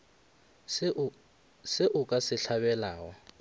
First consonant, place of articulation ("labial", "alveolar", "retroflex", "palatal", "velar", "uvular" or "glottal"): alveolar